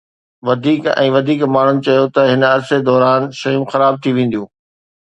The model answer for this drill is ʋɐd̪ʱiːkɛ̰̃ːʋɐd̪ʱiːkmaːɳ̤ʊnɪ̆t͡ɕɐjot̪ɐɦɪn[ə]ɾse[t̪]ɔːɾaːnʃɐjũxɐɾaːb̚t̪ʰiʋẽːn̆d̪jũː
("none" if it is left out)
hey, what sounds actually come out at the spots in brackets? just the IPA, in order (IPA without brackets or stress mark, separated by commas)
ɐ, d̪